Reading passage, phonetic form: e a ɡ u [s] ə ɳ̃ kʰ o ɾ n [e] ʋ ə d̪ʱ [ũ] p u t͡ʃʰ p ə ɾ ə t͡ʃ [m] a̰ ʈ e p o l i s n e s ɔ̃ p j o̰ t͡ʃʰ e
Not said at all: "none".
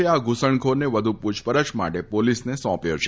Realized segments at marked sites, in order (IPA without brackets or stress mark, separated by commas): s, e, u, m